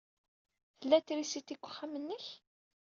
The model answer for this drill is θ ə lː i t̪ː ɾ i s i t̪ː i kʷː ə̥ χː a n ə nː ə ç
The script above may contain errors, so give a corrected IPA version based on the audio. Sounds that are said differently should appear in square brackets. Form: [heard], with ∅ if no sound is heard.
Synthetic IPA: θ ə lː [æ] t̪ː ɾ i s i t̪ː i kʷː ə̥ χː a [m] ə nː ə ç